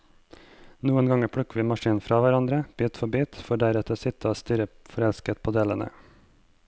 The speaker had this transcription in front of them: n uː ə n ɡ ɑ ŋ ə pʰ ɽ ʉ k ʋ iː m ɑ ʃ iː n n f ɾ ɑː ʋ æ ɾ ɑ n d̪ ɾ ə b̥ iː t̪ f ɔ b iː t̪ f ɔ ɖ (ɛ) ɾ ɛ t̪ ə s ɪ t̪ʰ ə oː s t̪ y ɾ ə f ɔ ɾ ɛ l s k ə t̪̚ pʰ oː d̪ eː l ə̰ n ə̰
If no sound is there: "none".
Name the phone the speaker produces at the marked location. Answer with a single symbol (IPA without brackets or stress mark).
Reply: æ